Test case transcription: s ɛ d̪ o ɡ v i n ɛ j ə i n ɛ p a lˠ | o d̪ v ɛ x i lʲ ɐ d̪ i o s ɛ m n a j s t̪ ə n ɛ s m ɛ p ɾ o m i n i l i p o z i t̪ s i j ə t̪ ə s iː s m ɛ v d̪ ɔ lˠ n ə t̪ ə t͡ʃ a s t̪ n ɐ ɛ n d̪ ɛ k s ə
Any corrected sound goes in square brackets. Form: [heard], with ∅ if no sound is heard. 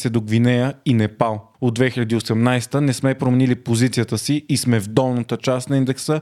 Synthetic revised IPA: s ɛ d̪ o ɡ v i n ɛ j ə i n ɛ p a lˠ | o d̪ v ɛ x i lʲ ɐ d̪ i o s ɛ m n a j s t̪ ə n ɛ s m ɛ p ɾ o m [ɛ] n i l i p o z i t̪ s i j ə t̪ ə s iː s m ɛ v d̪ ɔ lˠ n ə t̪ ə t͡ʃ a s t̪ n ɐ [i] n d̪ ɛ k s ə